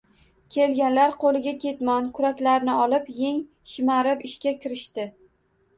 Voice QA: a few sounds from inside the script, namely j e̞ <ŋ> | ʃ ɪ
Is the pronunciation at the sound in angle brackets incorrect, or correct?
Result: correct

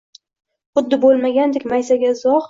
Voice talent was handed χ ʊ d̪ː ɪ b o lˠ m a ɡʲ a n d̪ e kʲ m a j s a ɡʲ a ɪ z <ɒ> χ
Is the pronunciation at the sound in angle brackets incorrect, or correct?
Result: correct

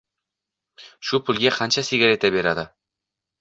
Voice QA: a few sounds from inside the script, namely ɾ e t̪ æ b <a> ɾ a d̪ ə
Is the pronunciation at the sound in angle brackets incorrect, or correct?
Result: incorrect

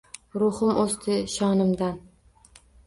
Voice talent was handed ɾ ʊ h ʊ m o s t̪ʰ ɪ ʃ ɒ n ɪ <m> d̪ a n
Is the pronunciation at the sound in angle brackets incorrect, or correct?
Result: correct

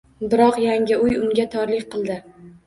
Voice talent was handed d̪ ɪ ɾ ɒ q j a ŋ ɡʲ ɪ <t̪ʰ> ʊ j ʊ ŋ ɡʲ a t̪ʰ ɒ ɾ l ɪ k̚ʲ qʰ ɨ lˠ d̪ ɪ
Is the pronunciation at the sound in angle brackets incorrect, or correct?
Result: incorrect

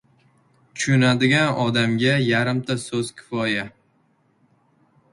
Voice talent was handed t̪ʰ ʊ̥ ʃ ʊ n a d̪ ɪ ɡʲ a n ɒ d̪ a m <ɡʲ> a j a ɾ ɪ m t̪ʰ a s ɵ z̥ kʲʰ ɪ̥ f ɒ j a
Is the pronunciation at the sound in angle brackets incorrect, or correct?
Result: correct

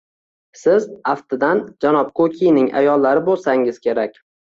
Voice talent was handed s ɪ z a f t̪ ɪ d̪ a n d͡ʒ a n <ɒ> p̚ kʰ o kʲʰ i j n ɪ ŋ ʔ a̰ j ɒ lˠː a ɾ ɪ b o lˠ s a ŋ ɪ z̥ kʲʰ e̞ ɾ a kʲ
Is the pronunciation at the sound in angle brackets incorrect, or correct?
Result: correct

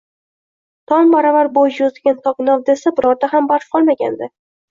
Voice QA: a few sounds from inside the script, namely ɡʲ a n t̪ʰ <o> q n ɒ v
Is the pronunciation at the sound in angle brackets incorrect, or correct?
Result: incorrect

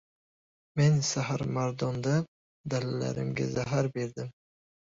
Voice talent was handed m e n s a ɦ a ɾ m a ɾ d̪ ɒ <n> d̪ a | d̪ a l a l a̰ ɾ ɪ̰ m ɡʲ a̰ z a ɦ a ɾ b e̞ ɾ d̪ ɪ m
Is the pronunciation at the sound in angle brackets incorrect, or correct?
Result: correct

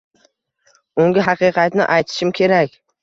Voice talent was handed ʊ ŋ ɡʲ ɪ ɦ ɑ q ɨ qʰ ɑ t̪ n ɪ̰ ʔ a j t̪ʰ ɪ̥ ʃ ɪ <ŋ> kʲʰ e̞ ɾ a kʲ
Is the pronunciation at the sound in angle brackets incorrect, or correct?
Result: incorrect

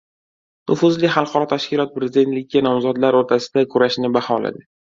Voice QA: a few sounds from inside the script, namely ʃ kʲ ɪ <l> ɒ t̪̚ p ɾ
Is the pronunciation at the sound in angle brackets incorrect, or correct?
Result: correct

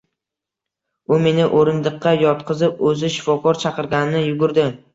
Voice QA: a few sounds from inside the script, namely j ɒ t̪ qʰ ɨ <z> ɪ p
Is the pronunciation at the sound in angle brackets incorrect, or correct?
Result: correct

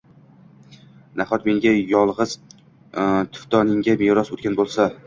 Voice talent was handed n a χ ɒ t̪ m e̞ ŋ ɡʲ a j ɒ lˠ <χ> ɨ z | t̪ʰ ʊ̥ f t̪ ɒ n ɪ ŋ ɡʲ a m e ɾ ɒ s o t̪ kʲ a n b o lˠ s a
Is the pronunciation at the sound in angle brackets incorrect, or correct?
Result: incorrect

